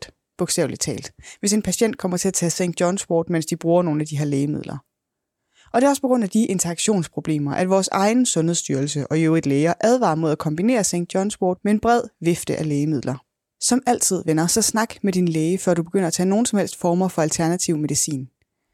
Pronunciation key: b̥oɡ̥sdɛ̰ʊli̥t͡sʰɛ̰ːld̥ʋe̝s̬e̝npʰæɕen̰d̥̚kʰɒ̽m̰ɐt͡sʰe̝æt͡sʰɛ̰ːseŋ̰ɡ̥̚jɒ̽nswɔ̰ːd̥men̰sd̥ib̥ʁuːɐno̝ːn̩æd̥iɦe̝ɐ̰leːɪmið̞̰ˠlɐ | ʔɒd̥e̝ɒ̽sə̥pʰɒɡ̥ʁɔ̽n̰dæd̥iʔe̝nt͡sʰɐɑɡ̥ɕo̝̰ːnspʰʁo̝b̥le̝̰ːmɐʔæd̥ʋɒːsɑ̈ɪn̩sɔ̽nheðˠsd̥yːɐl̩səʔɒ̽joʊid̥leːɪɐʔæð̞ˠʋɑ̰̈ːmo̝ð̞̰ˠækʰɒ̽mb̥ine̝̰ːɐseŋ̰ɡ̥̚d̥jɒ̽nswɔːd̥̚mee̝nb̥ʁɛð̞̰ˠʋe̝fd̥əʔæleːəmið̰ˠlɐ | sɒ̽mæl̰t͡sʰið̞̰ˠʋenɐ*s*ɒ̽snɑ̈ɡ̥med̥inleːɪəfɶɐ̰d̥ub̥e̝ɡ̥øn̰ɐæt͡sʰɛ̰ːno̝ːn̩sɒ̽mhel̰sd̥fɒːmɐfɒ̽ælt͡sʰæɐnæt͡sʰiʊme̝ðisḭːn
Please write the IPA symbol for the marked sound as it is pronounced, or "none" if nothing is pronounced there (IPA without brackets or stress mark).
s